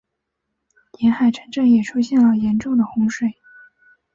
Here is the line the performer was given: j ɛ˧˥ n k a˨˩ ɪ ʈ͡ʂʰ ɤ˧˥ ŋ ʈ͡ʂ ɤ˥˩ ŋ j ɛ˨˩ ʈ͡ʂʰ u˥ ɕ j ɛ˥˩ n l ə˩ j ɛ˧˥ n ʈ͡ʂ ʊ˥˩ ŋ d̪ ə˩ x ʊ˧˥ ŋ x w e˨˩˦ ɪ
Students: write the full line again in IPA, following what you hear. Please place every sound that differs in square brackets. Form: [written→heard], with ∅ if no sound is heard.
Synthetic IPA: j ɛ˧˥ n [k→x] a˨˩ ɪ ʈ͡ʂʰ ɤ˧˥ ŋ ʈ͡ʂ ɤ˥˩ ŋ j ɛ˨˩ ʈ͡ʂʰ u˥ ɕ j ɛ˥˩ n l ə˩ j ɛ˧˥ n ʈ͡ʂ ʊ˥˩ ŋ d̪ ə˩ x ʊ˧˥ ŋ [x→ʂ] w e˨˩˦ ɪ